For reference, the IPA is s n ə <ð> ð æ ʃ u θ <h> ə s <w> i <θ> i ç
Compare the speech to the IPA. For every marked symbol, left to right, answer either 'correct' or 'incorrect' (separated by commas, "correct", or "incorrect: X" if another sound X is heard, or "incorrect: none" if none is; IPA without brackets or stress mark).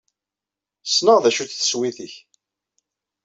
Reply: incorrect: ʁ, incorrect: θ, correct, correct